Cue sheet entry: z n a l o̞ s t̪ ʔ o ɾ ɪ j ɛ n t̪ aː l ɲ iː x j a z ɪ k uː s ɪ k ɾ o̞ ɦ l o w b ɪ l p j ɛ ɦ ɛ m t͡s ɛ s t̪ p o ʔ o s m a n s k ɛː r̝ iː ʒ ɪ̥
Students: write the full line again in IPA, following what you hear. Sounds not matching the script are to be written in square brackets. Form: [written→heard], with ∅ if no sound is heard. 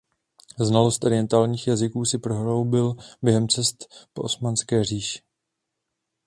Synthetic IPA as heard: z n a l o̞ s t̪ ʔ o ɾ ɪ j ɛ n t̪ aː l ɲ iː x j a z ɪ k uː s ɪ [k→p] ɾ o̞ ɦ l o w b ɪ l [p→b] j ɛ ɦ ɛ m t͡s ɛ s t̪ p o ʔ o s m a n s k ɛː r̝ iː [ʒ→ʃ] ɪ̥